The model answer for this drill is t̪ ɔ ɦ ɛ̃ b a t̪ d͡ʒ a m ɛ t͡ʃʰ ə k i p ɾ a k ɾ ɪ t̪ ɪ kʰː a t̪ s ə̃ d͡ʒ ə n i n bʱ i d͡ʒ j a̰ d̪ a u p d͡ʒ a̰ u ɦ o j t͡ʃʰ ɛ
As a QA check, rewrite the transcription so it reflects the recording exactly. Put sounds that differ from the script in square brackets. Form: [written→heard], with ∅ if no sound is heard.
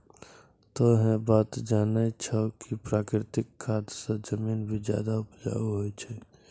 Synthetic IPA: t̪ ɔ ɦ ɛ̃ b a t̪ d͡ʒ a [m→n] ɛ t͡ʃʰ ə k i p ɾ a k ɾ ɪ t̪ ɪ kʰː a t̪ s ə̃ d͡ʒ ə [n→m] i n bʱ i d͡ʒ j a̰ d̪ a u p d͡ʒ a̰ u ɦ o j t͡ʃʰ ɛ